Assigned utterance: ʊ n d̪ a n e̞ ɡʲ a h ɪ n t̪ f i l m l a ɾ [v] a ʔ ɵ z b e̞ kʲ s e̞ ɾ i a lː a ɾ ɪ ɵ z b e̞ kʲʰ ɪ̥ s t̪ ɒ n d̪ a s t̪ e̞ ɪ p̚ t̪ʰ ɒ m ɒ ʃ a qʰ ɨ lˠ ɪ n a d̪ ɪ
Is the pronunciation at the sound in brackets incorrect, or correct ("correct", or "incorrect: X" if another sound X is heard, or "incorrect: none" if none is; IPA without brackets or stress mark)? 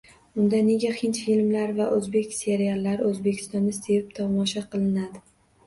correct